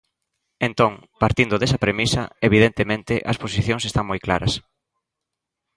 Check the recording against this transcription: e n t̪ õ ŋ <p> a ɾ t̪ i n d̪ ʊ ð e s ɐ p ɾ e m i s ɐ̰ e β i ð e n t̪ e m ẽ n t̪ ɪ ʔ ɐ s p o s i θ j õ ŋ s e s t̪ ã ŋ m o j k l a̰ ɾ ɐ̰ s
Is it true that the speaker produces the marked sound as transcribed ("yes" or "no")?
yes